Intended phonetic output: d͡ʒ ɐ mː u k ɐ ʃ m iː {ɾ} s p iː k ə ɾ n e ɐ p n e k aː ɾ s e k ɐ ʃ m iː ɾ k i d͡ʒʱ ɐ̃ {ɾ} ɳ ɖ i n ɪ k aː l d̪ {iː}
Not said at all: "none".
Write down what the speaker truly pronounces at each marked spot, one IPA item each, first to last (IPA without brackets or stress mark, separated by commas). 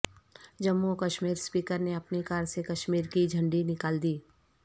ɾ, none, iː